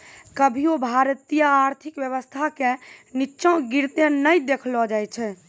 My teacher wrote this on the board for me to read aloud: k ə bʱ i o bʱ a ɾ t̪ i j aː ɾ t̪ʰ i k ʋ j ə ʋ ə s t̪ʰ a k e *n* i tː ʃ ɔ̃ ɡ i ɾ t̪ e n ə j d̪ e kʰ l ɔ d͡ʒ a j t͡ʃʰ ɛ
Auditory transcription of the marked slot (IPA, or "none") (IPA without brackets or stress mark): n